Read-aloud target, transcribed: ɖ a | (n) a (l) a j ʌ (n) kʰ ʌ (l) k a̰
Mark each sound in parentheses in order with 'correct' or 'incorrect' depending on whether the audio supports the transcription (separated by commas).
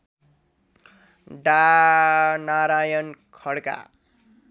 correct, incorrect, correct, incorrect